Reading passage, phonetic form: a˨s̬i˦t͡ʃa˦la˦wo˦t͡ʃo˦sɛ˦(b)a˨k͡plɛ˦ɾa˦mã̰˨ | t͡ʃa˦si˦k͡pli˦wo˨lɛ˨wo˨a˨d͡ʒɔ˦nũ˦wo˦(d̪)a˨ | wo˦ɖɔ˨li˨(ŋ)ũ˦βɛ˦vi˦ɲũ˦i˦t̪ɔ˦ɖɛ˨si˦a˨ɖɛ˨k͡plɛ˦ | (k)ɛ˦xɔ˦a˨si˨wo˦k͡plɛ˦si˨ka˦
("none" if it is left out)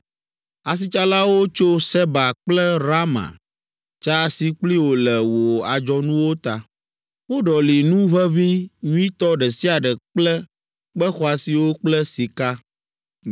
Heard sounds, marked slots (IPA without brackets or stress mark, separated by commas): b, t̪, n, k͡p